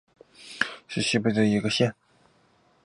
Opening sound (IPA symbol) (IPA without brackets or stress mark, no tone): ʂ